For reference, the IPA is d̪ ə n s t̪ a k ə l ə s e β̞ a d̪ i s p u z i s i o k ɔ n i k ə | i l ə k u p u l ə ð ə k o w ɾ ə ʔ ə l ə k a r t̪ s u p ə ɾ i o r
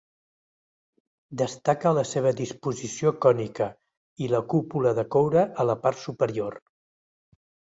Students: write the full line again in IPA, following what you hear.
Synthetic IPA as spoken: d̪ ə s t̪ a k ə l ə s e β̞ ə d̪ i s p u z i s i o k ɔ n i k ə | i l ə k u p u l ə ð ə k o w ɾ ə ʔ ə l ə p a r t̪ s u p ə ɾ i o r